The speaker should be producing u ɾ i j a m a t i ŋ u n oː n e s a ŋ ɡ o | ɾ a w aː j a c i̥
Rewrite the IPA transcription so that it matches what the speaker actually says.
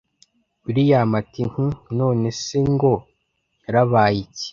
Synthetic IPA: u ɾ i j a m a t i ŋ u n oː n e s e ŋ ɡ o | ɾ a β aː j i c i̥